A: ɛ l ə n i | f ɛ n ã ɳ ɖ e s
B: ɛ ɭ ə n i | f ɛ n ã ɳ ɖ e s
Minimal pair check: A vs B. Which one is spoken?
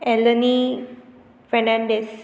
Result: A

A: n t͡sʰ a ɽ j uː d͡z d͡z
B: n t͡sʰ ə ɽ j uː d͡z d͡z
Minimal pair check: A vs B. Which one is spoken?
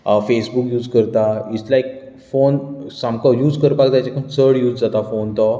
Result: B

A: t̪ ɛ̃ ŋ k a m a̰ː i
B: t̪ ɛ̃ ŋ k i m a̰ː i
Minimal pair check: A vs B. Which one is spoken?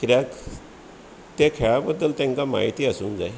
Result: A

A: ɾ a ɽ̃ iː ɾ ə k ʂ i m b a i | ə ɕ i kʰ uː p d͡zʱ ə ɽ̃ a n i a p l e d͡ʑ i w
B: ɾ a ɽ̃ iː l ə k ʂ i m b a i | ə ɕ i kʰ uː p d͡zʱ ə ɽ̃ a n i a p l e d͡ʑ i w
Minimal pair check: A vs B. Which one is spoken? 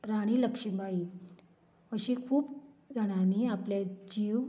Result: B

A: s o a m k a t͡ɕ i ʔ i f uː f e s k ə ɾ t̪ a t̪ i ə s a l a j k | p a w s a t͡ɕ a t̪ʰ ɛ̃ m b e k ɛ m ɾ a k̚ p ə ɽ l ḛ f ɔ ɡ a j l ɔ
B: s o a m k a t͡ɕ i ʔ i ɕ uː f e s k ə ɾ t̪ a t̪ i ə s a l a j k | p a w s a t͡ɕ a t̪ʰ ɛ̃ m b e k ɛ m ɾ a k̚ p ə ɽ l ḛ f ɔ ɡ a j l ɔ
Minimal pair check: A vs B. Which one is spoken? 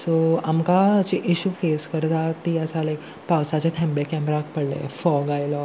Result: B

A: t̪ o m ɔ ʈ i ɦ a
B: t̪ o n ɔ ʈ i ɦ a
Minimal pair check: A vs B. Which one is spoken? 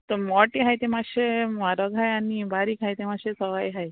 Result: A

